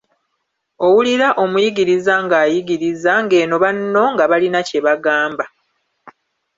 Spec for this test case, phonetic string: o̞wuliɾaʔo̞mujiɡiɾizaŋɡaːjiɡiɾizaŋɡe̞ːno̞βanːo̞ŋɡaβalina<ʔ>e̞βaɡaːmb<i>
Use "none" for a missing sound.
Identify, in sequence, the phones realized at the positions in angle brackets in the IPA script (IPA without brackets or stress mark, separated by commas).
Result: c, a